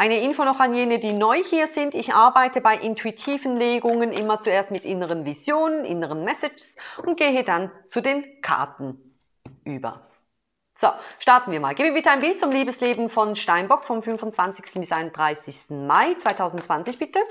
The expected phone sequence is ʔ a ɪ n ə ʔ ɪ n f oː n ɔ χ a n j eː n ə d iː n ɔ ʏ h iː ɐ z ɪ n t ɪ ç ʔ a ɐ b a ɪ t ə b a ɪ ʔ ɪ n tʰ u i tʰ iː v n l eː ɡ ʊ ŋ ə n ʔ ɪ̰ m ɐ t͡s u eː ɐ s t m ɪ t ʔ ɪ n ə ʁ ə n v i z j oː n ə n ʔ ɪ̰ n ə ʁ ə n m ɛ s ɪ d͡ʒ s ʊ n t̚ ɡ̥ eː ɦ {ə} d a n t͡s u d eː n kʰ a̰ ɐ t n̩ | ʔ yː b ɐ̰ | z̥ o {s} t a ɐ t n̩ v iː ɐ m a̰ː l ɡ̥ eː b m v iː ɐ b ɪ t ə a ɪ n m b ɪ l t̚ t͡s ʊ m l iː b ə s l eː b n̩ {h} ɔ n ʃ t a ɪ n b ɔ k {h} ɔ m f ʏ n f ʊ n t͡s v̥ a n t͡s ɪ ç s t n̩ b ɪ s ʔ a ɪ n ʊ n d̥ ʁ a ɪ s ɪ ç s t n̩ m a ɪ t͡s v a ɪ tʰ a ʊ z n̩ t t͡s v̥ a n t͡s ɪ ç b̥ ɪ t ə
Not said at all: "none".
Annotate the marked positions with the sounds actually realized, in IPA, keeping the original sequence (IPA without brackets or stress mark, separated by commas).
ə, ʃ, f, f